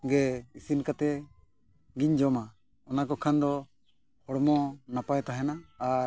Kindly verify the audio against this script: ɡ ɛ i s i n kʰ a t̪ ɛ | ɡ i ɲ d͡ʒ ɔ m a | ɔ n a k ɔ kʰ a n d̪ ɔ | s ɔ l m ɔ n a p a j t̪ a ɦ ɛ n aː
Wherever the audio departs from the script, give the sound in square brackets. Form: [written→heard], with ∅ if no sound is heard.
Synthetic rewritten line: ɡ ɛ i s i n [kʰ→k] a t̪ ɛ | ɡ i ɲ d͡ʒ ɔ m a | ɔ n a k ɔ kʰ a n d̪ ɔ | [s→h] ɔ [l→ɽ] m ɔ n a p a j t̪ a ɦ ɛ n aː